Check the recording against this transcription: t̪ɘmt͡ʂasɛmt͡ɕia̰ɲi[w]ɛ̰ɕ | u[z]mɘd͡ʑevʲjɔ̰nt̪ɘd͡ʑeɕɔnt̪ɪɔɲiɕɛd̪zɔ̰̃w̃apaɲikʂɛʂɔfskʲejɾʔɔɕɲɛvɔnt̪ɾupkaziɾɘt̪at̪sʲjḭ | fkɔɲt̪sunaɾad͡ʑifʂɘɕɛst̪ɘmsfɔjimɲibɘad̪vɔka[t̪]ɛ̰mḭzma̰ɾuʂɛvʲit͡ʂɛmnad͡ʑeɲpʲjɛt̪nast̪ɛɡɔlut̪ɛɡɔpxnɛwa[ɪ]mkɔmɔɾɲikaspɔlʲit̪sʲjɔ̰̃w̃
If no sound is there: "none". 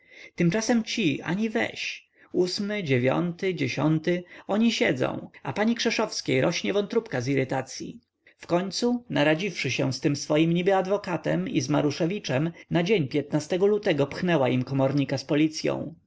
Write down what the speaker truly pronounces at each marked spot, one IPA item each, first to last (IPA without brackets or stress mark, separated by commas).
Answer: v, s, t̪, i